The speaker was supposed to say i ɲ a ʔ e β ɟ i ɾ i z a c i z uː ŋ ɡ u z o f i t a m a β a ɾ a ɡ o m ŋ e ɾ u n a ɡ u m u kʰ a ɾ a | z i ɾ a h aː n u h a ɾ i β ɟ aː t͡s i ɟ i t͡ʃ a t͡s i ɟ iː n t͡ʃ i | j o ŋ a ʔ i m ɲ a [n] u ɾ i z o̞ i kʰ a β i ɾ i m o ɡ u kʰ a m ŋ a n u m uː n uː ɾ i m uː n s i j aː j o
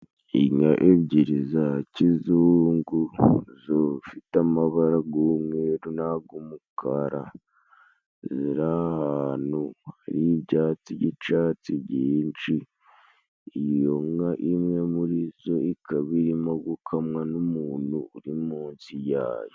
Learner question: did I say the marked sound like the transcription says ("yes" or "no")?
no